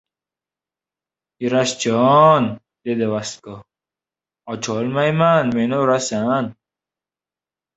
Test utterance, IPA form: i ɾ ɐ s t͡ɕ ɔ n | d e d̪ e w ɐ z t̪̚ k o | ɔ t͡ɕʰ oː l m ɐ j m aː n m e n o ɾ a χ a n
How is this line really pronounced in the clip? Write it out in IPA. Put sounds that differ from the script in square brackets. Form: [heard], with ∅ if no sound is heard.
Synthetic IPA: i ɾ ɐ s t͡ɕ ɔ n | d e d̪ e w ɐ [s] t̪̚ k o | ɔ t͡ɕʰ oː l m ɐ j m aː n m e n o ɾ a [s] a n